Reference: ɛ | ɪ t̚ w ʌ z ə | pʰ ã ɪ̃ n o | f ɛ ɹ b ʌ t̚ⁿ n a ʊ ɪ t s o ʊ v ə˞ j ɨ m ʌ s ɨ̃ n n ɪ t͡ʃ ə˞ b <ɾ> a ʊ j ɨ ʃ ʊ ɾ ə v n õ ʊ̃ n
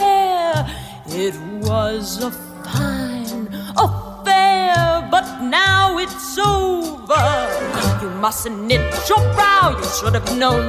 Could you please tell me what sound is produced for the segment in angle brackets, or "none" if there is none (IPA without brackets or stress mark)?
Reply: ɹ